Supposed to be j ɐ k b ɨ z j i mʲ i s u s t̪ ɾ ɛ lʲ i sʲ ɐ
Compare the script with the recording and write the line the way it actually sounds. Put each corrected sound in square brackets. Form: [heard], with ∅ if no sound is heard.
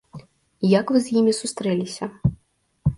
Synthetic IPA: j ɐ k [v] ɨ z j i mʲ i s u s t̪ ɾ ɛ lʲ i sʲ ɐ